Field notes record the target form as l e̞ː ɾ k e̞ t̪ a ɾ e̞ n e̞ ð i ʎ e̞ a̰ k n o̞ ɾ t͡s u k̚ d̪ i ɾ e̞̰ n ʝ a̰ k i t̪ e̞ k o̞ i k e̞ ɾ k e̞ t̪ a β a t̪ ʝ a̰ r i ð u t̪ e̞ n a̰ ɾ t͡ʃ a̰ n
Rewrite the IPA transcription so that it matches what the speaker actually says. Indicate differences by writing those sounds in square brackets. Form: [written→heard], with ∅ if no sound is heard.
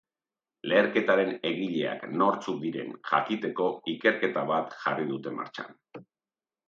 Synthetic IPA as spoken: l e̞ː ɾ k e̞ t̪ a ɾ e̞ n e̞ [ð→ɣ] i ʎ e̞ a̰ k n o̞ ɾ t͡s u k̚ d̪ i ɾ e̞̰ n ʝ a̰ k i t̪ e̞ k o̞ i k e̞ ɾ k e̞ t̪ a β a t̪ ʝ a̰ r i ð u t̪ e̞ [n→m] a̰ ɾ t͡ʃ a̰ n